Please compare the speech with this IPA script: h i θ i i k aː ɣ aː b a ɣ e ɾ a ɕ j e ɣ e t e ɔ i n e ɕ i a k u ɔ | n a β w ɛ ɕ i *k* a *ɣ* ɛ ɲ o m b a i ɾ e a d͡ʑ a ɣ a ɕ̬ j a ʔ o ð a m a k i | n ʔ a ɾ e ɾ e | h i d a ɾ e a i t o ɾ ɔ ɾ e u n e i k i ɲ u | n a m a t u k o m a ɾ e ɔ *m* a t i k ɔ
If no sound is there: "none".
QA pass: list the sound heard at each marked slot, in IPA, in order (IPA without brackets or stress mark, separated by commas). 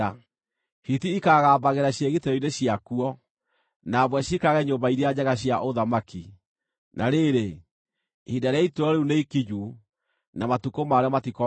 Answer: k, ɣ, m